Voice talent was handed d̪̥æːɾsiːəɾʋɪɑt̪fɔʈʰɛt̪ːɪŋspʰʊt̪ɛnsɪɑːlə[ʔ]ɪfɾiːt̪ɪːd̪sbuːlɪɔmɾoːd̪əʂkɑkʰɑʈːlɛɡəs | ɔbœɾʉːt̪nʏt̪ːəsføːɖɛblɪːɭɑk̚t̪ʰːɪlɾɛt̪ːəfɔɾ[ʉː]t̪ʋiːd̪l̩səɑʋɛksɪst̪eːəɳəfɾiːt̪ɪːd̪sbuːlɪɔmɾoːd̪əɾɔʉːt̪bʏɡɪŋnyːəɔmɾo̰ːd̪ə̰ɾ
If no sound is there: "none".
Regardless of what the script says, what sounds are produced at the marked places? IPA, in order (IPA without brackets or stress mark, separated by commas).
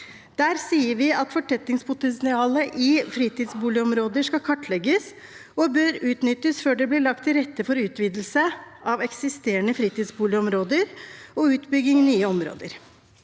ʔ, ʉː